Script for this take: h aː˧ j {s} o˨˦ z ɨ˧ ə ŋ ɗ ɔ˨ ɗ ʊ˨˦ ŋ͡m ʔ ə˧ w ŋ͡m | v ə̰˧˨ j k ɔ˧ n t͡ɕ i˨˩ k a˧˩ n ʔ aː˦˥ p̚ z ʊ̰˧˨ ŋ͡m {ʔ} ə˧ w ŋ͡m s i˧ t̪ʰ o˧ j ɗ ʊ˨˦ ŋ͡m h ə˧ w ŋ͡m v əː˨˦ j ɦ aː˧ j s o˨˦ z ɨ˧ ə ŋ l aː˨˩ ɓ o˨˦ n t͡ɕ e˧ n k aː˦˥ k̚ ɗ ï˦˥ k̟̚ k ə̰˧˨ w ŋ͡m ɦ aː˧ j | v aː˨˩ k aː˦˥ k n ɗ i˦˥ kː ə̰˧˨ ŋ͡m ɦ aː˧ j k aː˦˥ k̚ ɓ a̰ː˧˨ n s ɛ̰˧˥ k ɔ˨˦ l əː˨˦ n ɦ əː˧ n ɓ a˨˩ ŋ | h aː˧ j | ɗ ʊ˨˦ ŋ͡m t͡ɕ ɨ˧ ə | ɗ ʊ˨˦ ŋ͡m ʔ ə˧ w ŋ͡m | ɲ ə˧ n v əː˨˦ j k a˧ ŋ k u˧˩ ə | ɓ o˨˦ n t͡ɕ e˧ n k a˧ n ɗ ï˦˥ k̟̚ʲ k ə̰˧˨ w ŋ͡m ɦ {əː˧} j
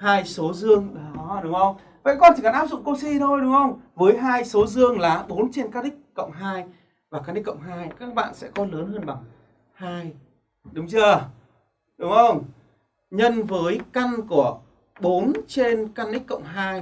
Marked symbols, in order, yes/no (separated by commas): yes, no, no